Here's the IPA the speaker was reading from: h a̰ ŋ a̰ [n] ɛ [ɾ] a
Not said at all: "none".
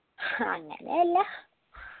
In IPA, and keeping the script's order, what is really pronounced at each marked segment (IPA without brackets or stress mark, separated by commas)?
n, l